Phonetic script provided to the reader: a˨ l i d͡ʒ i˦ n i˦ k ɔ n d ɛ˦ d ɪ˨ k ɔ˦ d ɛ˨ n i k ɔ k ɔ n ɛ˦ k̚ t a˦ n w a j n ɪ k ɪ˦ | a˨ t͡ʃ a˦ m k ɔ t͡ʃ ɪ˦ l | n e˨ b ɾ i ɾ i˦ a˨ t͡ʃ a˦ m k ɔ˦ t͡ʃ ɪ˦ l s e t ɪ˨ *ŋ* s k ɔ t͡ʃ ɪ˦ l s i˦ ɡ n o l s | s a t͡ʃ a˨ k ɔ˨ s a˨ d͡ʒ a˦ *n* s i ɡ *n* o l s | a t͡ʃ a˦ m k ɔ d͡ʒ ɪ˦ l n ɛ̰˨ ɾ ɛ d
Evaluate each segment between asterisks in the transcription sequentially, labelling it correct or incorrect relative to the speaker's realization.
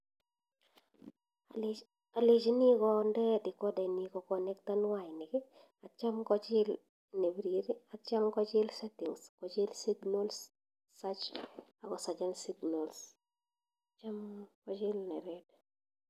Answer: correct, correct, correct

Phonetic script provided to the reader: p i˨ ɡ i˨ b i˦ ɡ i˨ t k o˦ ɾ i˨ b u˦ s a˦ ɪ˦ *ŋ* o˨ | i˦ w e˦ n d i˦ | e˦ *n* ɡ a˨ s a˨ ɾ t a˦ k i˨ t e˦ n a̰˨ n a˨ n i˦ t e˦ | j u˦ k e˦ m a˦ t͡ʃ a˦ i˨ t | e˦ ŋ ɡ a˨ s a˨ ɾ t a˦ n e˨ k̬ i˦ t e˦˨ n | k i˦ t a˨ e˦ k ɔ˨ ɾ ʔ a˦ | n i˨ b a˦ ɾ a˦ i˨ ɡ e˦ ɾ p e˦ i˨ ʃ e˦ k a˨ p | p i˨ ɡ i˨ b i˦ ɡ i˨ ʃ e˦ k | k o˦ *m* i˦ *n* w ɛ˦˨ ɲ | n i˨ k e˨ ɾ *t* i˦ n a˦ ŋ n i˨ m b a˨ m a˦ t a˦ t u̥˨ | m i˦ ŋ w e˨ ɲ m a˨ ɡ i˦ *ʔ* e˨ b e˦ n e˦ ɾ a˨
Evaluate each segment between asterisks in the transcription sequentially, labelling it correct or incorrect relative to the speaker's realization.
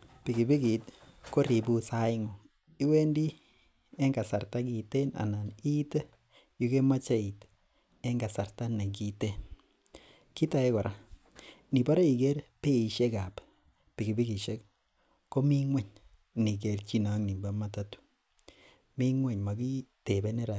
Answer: correct, incorrect: ŋ, correct, incorrect: ŋ, incorrect: t͡ʃ, incorrect: t

